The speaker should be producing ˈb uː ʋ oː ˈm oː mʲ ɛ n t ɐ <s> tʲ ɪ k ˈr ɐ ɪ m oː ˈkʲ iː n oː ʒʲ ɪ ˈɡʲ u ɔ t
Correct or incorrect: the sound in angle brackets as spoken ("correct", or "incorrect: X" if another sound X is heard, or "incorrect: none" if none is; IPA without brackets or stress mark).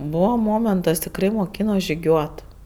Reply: correct